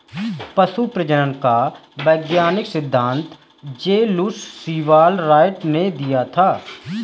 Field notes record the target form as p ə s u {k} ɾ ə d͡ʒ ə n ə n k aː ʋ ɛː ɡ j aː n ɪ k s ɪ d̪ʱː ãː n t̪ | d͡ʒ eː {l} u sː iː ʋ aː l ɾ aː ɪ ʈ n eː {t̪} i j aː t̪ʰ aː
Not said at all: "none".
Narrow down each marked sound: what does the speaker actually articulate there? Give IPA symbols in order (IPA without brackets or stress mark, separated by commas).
p, l, d̪